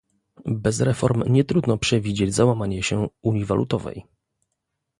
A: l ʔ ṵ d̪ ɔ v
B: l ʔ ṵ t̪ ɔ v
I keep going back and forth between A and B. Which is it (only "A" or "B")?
B